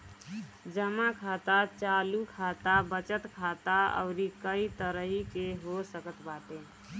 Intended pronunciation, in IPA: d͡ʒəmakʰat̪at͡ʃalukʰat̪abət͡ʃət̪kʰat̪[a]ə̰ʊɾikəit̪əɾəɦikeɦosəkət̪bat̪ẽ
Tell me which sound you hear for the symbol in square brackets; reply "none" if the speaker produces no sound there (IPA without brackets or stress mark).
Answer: a